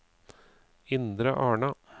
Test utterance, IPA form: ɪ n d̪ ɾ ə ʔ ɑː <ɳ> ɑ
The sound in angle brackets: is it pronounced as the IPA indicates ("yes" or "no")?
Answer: yes